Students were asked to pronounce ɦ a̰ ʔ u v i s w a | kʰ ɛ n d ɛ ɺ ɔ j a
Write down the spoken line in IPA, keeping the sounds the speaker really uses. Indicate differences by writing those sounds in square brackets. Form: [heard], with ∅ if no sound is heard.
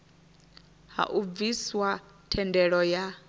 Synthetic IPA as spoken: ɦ a̰ ʔ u v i s w a | [tʰ] ɛ n d ɛ ɺ ɔ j a